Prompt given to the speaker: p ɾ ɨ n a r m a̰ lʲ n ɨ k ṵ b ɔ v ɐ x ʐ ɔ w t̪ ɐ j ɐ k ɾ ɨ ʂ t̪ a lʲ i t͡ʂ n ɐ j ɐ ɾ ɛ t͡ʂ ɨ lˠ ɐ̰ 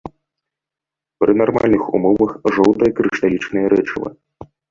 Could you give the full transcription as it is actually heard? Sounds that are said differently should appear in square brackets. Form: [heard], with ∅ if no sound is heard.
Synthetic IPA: p ɾ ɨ n a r m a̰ lʲ n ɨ [x] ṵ [m] ɔ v ɐ x ʐ ɔ w t̪ ɐ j ɐ k ɾ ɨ ʂ t̪ a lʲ i t͡ʂ n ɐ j ɐ ɾ ɛ t͡ʂ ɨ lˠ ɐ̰